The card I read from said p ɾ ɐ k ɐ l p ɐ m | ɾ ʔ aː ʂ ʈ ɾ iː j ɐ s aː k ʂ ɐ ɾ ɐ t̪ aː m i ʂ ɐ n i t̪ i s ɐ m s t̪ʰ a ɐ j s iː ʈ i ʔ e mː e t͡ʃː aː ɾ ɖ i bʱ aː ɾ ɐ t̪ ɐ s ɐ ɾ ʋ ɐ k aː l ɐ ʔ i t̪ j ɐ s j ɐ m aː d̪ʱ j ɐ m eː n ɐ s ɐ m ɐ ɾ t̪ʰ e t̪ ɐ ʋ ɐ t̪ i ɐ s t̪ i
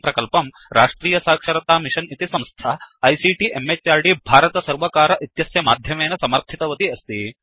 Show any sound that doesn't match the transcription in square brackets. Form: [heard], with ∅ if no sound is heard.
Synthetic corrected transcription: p ɾ ɐ k ɐ l p ɐ m | ɾ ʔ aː ʂ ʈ ɾ iː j ɐ s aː k ʂ ɐ ɾ ɐ t̪ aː m i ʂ ɐ n i t̪ i s ɐ m s t̪ʰ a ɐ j s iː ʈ i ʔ e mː e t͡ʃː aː ɾ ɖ i bʱ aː ɾ ɐ t̪ ɐ s ɐ ɾ ʋ ɐ k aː [ɾ] ɐ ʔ i t̪ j ɐ s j ɐ m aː d̪ʱ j ɐ m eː n ɐ s ɐ m ɐ ɾ t̪ʰ [i] t̪ ɐ ʋ ɐ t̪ i ɐ s t̪ i